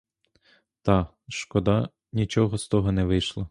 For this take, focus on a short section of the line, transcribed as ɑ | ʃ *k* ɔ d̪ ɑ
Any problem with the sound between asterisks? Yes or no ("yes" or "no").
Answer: no